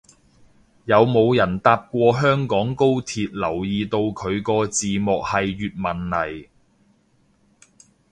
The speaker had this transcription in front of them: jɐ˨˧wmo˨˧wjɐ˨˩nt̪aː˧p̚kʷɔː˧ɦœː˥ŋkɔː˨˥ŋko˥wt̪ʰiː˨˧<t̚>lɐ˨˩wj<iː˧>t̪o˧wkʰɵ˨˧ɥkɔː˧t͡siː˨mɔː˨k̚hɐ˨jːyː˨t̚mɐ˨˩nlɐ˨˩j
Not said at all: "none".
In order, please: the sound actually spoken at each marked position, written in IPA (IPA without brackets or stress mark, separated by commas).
t̚, iː˧